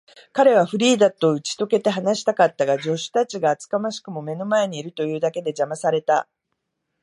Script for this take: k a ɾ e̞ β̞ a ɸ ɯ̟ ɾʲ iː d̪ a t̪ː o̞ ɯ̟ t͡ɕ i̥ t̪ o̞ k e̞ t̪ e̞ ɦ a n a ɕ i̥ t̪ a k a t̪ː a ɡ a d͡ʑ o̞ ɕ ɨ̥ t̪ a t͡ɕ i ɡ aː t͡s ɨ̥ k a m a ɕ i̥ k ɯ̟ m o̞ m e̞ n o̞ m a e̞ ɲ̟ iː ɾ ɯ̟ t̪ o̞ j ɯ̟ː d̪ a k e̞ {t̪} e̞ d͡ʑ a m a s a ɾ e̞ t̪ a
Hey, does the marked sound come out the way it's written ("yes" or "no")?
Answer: no